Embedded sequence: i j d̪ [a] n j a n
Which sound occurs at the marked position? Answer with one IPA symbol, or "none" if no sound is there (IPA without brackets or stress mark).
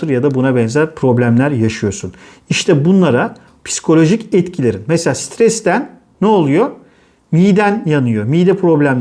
æ